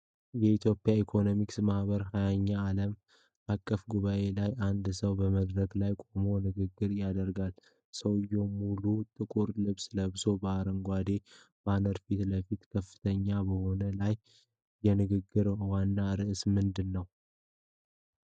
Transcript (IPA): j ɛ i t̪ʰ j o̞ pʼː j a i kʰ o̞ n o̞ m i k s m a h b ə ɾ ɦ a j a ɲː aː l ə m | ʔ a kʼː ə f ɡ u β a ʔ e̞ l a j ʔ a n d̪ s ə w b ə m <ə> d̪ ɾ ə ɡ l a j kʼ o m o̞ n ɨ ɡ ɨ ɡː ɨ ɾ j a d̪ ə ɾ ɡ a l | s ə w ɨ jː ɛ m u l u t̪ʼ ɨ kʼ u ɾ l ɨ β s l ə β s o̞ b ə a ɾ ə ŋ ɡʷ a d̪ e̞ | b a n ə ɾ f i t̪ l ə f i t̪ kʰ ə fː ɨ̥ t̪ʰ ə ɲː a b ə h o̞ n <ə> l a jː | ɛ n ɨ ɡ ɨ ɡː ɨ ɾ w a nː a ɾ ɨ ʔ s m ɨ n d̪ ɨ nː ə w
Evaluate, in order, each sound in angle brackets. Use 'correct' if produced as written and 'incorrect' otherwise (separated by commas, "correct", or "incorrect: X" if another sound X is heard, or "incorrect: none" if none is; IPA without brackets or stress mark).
correct, correct